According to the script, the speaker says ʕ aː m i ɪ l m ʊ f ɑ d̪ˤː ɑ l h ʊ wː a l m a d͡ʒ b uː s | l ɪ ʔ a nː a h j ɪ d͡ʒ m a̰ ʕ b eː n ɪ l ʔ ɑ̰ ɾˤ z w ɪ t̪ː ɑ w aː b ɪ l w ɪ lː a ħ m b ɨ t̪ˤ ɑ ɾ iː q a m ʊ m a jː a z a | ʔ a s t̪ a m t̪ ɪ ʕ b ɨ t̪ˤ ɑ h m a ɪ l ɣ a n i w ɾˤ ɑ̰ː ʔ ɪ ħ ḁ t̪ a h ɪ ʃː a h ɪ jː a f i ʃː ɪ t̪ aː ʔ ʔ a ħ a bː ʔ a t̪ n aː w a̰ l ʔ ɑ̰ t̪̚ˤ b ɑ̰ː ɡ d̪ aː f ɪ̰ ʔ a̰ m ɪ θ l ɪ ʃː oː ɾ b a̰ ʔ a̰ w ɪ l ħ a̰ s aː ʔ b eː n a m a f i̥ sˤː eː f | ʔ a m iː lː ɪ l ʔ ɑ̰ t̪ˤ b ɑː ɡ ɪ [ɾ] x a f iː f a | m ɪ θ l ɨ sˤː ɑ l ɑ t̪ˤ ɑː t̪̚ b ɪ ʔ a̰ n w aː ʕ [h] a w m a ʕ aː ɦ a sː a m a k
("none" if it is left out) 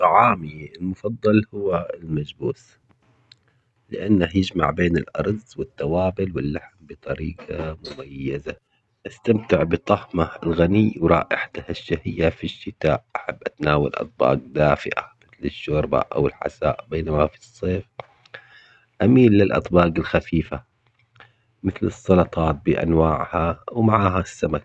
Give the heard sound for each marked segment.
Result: l, h

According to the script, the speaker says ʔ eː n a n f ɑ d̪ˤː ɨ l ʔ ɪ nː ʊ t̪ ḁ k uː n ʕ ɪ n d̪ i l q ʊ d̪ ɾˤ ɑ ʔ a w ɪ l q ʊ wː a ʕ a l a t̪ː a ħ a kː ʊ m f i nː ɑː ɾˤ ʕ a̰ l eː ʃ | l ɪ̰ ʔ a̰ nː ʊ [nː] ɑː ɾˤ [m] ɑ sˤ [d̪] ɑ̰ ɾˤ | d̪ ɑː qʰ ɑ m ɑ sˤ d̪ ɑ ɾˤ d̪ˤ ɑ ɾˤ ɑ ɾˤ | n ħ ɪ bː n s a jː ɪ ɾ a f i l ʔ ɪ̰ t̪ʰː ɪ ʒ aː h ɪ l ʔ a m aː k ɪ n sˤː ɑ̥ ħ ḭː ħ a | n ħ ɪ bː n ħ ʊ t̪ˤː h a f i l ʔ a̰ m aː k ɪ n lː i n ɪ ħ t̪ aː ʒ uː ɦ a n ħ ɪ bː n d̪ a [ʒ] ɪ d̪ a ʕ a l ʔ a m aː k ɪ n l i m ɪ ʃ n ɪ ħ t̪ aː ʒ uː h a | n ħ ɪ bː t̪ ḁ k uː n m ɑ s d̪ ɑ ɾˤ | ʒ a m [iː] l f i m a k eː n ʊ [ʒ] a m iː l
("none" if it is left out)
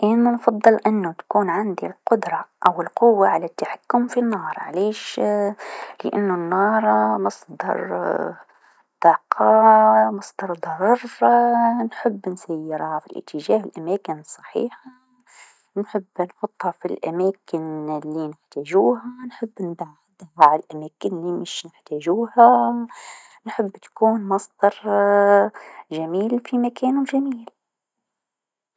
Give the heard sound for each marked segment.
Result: nː, m, d̪, ʕ, iː, ʒ

